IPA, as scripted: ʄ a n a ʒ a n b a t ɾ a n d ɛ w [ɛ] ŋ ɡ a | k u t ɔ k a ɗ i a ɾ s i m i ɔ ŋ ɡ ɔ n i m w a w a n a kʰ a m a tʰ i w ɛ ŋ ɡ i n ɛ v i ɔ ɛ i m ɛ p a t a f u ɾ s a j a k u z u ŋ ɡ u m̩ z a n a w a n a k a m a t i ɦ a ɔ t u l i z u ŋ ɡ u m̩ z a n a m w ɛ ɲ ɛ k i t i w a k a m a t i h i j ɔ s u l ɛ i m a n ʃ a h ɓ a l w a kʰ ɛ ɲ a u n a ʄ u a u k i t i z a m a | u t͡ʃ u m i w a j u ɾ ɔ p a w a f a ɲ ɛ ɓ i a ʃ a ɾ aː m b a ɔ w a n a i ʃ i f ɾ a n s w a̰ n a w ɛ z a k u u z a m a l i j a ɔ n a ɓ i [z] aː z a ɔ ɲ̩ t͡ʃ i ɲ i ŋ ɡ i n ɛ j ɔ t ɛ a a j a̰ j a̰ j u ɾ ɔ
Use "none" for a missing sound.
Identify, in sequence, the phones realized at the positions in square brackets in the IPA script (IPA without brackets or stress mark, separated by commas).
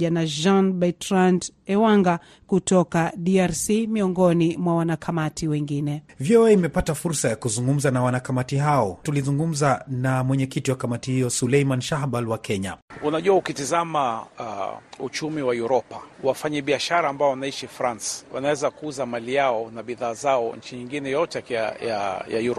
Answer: a, ð